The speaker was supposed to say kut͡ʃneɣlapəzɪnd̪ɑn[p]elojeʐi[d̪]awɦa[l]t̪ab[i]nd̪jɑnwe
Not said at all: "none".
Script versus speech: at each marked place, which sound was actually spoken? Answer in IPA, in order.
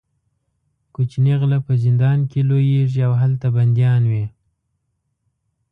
k, none, l, a

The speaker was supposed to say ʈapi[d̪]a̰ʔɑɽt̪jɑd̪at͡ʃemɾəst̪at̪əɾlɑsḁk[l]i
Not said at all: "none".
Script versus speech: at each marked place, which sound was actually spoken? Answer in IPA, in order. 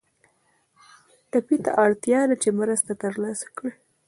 t̪, ɽ

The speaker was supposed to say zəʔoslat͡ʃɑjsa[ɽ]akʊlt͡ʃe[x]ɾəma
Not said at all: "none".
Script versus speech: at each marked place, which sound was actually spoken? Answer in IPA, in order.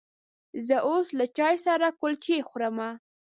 ɾ, x

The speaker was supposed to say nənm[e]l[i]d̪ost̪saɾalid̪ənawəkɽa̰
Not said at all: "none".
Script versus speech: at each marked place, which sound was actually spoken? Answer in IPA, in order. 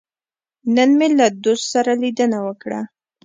e, a

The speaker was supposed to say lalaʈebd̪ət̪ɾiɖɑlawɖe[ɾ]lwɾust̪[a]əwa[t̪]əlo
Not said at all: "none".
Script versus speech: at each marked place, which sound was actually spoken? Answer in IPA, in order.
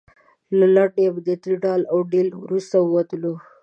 none, a, t̪

